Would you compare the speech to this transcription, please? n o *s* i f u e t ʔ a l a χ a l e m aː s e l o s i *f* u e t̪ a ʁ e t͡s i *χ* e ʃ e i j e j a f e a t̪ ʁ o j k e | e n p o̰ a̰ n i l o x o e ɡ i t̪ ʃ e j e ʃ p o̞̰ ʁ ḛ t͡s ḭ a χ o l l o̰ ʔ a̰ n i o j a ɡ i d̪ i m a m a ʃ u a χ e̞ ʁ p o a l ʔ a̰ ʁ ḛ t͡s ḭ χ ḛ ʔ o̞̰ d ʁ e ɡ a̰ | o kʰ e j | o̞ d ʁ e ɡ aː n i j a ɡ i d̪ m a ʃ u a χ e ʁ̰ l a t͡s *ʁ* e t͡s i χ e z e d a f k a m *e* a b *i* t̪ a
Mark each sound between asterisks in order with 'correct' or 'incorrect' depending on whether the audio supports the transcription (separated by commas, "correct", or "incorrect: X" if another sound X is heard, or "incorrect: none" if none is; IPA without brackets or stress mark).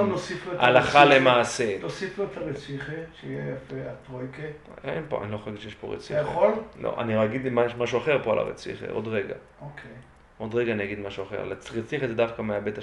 correct, correct, correct, correct, correct, incorrect: e